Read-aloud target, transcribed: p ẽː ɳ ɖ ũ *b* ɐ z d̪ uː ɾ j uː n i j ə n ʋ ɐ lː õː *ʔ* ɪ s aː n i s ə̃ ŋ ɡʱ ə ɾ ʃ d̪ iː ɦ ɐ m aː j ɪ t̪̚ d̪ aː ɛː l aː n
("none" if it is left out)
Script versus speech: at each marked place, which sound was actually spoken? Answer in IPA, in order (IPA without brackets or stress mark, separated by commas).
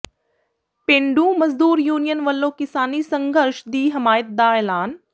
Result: m, k